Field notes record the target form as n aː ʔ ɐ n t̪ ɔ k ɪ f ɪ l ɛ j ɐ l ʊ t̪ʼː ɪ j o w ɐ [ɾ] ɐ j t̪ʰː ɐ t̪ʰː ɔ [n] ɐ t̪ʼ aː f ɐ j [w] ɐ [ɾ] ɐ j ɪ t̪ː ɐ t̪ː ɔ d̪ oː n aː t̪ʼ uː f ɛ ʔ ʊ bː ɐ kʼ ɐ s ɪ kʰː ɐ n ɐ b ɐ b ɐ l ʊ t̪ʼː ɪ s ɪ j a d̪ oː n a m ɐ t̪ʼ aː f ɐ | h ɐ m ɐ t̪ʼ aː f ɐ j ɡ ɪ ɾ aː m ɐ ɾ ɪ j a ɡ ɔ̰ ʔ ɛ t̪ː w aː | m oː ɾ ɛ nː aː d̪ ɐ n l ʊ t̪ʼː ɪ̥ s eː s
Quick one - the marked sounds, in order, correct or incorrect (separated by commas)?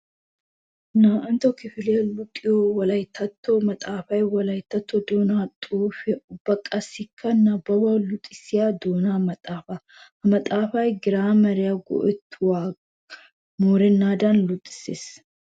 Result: incorrect, incorrect, correct, incorrect